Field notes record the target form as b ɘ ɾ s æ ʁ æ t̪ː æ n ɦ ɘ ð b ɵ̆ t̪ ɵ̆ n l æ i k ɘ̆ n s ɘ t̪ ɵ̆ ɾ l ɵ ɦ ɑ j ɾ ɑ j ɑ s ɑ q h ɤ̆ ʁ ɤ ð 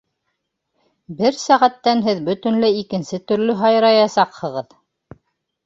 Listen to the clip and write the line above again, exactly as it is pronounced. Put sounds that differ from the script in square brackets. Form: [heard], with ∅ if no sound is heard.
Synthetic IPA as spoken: b ɘ ɾ s æ ʁ æ t̪ː æ n ɦ ɘ ð b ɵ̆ t̪ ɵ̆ n l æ i k ɘ̆ n s ɘ t̪ ɵ̆ ɾ l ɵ ɦ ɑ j ɾ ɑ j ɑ s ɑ q h ɤ̆ ʁ ɤ ð